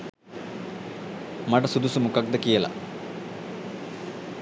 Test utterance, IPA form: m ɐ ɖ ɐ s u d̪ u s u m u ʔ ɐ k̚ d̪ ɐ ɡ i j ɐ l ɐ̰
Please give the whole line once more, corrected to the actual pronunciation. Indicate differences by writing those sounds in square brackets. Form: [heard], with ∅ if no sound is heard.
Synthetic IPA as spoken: m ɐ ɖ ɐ s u d̪ u s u m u [k] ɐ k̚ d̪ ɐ [k] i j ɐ l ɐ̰